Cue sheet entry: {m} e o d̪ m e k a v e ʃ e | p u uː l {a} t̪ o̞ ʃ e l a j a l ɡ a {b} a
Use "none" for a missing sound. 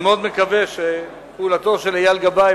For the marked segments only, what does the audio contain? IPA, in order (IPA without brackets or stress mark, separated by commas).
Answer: m, a, b